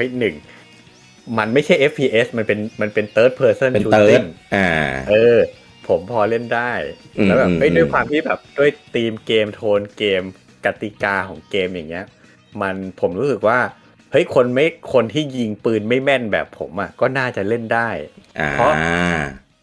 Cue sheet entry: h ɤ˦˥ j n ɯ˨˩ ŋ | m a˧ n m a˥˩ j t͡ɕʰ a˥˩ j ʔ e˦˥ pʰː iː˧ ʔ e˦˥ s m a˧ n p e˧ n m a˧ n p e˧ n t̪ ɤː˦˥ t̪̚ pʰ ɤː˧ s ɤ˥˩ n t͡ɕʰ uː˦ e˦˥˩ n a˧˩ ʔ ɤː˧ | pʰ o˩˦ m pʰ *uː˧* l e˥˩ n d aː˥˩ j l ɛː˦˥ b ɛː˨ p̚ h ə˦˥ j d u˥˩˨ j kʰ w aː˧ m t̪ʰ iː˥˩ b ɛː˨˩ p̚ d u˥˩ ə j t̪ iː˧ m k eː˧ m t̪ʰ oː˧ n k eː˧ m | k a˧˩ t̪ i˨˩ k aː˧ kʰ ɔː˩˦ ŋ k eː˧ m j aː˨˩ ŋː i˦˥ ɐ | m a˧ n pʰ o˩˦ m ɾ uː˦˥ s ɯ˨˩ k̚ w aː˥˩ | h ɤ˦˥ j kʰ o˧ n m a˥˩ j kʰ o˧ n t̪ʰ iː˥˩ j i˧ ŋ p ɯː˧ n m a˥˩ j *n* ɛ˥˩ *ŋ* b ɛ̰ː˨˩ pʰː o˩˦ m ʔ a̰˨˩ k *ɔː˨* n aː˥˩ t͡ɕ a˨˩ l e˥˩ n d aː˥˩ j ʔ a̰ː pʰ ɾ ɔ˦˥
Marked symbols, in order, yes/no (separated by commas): no, no, no, no